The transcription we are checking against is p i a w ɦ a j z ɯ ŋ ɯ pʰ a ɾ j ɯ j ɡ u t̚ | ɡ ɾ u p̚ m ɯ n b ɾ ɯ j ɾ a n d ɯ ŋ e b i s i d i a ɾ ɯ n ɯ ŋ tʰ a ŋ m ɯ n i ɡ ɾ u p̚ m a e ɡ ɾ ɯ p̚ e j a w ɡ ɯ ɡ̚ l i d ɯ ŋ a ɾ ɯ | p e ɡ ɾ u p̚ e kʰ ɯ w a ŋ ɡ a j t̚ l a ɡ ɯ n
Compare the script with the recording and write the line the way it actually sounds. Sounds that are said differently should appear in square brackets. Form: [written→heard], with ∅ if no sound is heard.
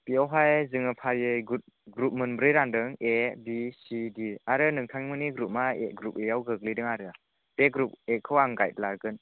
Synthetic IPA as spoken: p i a w ɦ a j z ɯ ŋ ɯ pʰ a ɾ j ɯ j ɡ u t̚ | ɡ ɾ u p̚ m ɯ n b ɾ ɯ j ɾ a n d ɯ ŋ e b i s i d i a ɾ ɯ n ɯ ŋ tʰ a ŋ m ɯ n i ɡ ɾ u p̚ m a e ɡ ɾ [ɯ→u] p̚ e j a w ɡ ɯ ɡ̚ l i d ɯ ŋ a ɾ ɯ | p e ɡ ɾ u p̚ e kʰ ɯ w a ŋ ɡ a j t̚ l a ɡ ɯ n